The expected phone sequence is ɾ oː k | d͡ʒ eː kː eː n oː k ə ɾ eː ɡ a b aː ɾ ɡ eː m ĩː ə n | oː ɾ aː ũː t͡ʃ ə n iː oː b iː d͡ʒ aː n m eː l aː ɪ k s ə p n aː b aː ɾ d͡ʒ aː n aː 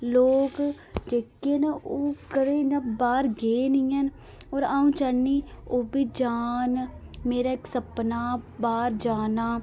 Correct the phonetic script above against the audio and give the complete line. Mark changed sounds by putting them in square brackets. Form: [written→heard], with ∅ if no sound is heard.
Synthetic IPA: [ɾ→l] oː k | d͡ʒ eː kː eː n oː k ə ɾ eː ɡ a b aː ɾ ɡ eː [m→n] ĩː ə n | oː ɾ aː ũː t͡ʃ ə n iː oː b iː d͡ʒ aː n m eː [l→ɾ] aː ɪ k s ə p n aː b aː ɾ d͡ʒ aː n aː